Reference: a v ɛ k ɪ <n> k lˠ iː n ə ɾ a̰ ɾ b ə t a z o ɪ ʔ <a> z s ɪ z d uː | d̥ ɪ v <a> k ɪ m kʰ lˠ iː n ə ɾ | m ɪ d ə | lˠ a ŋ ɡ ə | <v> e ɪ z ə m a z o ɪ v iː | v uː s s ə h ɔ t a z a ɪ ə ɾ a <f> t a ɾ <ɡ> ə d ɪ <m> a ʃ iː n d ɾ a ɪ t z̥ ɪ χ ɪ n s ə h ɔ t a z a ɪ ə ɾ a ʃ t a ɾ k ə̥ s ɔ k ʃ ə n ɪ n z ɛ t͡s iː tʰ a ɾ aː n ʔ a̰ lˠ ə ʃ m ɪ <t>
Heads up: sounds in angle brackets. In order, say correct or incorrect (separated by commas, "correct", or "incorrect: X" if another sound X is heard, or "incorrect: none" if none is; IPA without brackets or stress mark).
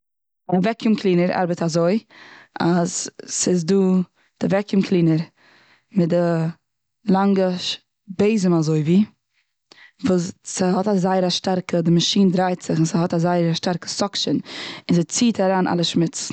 incorrect: m, correct, incorrect: ɛ, incorrect: b, incorrect: ʃ, incorrect: k, correct, incorrect: t͡s